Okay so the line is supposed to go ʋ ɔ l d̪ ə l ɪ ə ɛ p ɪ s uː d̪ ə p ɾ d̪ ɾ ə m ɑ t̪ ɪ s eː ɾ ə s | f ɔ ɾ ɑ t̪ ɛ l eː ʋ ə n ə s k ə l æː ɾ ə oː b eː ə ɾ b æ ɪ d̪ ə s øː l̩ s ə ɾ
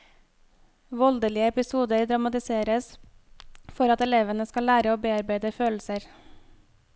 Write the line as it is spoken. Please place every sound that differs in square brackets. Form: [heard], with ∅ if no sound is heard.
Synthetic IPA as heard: ʋ ɔ l d̪ ə l ɪ ə ɛ p ɪ s uː d̪ ə [∅] ɾ d̪ ɾ [ɑ] m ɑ t̪ ɪ s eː ɾ ə s | f ɔ ɾ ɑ t̪ ɛ l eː ʋ ə n ə s k [ɑ] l æː ɾ ə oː b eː [ɑ] ɾ b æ ɪ d̪ ə [f] øː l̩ s ə ɾ